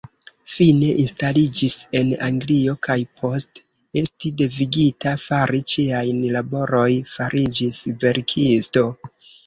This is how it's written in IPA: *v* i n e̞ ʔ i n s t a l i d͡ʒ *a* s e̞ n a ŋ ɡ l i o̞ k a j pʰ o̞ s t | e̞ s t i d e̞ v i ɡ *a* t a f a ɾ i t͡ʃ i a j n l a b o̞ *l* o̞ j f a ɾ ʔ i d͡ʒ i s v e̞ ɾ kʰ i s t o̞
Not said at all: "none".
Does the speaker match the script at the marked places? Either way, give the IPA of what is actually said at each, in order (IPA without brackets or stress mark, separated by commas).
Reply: f, i, i, ɾ